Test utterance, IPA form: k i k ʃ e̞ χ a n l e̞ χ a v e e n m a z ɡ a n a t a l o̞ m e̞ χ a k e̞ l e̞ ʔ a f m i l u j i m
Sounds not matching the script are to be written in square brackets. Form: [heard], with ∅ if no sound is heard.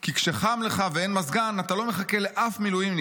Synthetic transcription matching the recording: k i k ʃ e̞ χ a [m] l e̞ χ a v e e n m a z ɡ a n a t a l o̞ m e̞ χ a k e̞ l e̞ ʔ a f m i l u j i m